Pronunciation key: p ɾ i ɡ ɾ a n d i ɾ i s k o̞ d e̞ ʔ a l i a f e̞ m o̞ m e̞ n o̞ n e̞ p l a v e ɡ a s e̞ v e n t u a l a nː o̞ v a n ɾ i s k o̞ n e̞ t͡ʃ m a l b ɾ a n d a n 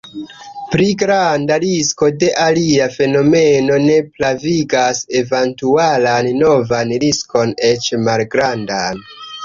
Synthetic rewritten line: p ɾ i ɡ ɾ a n d a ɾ i s k o̞ d e̞ ʔ a l i a f e̞ n o̞ m e̞ n o̞ n e̞ p l a v i ɡ a s e̞ v e n t u a l a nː o̞ v a n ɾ i s k o̞ n e̞ t͡ʃ m a l ɡ ɾ a n d a n